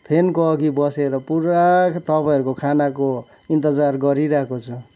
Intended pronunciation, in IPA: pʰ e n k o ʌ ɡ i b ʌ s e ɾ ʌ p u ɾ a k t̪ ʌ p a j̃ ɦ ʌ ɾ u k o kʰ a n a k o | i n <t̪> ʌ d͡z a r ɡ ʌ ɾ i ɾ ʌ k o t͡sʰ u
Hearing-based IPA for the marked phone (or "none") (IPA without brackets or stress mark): t̪